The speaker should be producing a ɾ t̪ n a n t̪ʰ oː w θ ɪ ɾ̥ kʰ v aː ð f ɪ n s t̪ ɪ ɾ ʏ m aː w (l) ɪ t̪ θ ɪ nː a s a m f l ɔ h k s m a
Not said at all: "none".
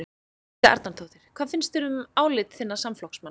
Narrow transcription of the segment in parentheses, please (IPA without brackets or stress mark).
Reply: l